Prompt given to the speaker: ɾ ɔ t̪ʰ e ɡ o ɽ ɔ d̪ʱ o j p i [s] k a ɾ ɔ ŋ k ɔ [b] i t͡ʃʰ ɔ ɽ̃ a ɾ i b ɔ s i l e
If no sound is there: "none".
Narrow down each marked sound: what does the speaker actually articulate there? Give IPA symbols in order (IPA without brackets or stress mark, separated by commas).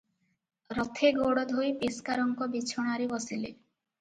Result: s, b